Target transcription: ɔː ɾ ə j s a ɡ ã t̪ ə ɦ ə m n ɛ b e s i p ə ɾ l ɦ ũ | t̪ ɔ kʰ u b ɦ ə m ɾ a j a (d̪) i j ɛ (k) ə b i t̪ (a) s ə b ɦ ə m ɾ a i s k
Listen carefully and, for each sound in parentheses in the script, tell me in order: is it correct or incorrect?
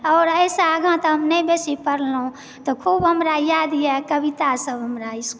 correct, correct, correct

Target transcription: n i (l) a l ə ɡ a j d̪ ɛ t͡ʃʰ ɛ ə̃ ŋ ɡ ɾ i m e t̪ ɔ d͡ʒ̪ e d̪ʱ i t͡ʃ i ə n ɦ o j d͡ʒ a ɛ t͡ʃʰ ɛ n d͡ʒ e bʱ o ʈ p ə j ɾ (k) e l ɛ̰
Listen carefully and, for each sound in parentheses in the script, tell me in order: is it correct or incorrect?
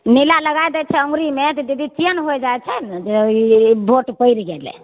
correct, incorrect: ɡ

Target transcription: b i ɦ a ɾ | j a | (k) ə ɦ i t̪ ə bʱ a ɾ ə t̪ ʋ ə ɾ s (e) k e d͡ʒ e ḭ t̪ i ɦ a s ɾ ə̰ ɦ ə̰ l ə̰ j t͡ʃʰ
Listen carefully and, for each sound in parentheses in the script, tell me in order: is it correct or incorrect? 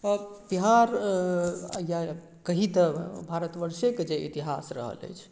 correct, correct

